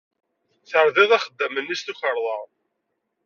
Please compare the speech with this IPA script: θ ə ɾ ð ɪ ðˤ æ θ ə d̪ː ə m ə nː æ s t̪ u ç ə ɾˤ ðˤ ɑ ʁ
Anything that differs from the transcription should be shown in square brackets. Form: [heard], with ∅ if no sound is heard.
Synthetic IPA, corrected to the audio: θ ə ɾ ð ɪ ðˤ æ [χ] ə d̪ː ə m ə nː [i] s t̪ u ç ə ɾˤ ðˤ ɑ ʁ